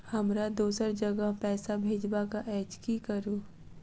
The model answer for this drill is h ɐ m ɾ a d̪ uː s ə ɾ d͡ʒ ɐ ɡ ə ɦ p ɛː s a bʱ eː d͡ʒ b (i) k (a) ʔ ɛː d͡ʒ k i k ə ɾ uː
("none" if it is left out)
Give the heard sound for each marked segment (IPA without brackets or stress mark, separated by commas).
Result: a, a